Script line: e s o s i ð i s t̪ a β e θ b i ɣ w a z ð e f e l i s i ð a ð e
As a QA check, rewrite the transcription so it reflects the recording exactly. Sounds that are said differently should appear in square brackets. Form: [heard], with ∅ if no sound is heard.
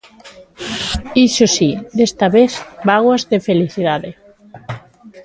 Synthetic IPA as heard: [i] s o s i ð [e] s t̪ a β e θ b [a] ɣ w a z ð e f e l i [θ] i ð a ð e

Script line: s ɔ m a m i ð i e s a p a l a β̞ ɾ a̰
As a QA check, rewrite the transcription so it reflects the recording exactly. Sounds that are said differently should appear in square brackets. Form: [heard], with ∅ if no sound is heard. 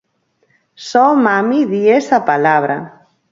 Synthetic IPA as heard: s ɔ m a m i ð i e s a p a l a β̞ ɾ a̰

